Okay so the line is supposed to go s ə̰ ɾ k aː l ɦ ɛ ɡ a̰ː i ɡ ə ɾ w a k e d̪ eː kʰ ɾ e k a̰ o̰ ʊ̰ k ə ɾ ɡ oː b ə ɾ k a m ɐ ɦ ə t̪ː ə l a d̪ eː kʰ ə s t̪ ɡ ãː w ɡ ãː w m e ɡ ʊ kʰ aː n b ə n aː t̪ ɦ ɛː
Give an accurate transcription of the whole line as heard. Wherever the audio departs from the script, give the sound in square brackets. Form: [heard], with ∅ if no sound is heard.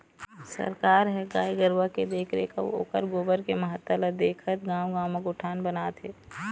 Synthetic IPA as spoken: s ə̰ ɾ k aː [ɾ] ɦ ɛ ɡ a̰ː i ɡ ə ɾ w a k e d̪ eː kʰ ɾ e k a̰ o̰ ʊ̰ k ə ɾ ɡ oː b ə ɾ k [e] m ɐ ɦ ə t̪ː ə l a d̪ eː kʰ ə [∅] t̪ ɡ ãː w ɡ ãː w m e ɡ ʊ [ʈʰ] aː n b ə n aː t̪ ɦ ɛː

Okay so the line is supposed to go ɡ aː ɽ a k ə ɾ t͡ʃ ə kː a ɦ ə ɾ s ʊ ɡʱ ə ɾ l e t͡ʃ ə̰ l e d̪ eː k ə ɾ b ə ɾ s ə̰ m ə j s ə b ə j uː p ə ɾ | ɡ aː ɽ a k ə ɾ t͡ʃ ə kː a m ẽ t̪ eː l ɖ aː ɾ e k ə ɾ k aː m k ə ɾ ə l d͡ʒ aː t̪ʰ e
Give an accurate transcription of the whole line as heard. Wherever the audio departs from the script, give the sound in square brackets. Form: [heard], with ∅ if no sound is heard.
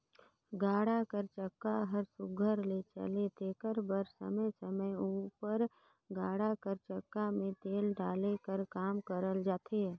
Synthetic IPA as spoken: ɡ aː ɽ a k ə ɾ t͡ʃ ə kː a ɦ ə ɾ s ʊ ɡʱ ə ɾ l e t͡ʃ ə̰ l e [t̪] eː k ə ɾ b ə ɾ s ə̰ m ə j s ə [m] ə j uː p ə ɾ | ɡ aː ɽ a k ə ɾ t͡ʃ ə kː a m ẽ t̪ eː l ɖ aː [l] e k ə ɾ k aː m k ə ɾ ə l d͡ʒ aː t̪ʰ e

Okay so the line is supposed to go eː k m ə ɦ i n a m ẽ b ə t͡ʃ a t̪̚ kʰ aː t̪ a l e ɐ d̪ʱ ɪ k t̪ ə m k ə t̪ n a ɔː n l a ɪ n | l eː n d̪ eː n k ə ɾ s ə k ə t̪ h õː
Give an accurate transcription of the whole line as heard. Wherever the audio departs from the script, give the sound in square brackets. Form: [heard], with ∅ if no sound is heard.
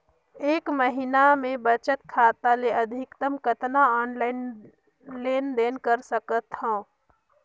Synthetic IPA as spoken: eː k m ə ɦ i n a m ẽ b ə t͡ʃ [ə] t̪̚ kʰ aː t̪ a l e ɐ d̪ʱ ɪ k t̪ ə m k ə t̪ n a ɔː n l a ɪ n | l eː n d̪ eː n k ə ɾ s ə k ə t̪ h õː

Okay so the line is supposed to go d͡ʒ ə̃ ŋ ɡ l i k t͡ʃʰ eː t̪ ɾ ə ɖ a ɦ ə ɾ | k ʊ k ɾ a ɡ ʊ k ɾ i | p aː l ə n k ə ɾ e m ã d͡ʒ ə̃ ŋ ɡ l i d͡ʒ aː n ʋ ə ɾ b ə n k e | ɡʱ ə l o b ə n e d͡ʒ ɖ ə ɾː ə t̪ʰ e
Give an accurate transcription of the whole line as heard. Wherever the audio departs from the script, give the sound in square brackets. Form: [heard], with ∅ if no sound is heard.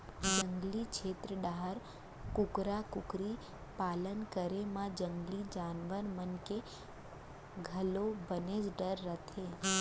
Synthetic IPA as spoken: d͡ʒ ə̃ ŋ ɡ l i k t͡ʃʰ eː t̪ ɾ ə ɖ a ɦ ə ɾ | k ʊ k ɾ a [k] ʊ k ɾ i | p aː l ə n k ə ɾ e m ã d͡ʒ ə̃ ŋ ɡ l i d͡ʒ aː n ʋ ə ɾ [m] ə n k e | ɡʱ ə l o b ə n e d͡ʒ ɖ ə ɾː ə t̪ʰ e

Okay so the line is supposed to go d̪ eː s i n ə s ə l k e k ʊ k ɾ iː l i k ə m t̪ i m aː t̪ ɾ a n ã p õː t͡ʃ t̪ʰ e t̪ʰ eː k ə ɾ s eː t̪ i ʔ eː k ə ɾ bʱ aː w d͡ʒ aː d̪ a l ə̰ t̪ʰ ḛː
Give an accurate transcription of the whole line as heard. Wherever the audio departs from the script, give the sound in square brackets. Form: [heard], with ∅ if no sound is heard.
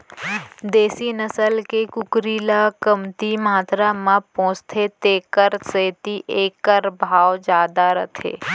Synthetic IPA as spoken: d̪ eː s i n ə s ə l k e k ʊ k ɾ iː l [a] k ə m t̪ i m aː t̪ ɾ a [m] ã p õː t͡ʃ t̪ʰ e [t̪] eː k ə ɾ s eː t̪ i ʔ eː k ə ɾ bʱ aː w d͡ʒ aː d̪ a [ɾ] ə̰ t̪ʰ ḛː

